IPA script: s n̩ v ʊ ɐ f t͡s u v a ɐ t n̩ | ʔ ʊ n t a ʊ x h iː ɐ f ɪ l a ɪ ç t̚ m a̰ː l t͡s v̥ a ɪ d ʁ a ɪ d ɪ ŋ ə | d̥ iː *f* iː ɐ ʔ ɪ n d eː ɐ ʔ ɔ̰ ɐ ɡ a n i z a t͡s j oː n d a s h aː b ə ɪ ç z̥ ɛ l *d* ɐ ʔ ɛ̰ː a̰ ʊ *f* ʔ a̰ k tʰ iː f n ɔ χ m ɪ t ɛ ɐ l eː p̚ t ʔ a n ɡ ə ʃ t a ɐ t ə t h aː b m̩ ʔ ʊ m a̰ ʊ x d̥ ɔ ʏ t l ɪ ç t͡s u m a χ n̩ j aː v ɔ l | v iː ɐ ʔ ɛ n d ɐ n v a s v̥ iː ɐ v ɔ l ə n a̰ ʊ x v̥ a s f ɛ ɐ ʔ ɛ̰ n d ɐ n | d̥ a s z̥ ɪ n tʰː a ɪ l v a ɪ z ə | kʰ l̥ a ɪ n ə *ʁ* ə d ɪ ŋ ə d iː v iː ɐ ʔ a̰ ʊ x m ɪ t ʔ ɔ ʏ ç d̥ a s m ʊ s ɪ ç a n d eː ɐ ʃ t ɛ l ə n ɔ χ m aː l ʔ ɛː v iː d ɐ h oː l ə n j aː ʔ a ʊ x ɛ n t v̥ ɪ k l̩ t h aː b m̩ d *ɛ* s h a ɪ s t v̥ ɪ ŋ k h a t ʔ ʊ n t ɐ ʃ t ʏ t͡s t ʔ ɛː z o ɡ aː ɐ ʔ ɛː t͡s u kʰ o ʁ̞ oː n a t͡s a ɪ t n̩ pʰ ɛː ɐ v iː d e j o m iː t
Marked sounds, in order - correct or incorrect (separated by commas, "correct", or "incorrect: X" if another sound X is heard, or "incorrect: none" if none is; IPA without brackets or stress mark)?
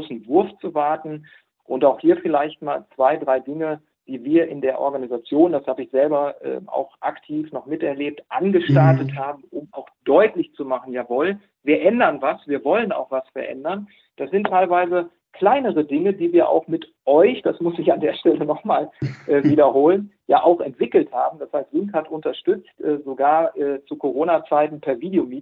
incorrect: v, incorrect: b, incorrect: x, correct, incorrect: a